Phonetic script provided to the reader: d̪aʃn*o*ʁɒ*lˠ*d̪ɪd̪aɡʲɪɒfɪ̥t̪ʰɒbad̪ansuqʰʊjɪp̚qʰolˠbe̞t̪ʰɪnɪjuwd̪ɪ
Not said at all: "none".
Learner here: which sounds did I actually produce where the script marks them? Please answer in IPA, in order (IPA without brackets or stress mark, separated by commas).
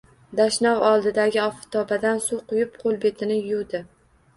ɒ, lˠ